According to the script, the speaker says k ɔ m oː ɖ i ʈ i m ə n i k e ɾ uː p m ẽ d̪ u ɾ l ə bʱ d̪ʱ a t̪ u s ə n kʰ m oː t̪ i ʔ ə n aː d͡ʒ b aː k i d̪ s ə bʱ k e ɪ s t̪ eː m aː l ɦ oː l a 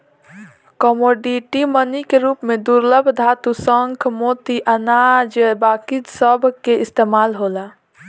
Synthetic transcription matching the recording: k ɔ m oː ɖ i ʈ i m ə n i k e ɾ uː p m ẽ d̪ u ɾ l ə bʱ d̪ʱ a t̪ u s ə ŋ kʰ m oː t̪ i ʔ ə n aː d͡ʒ b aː k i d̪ s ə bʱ k e ɪ s t̪ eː m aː l ɦ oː l a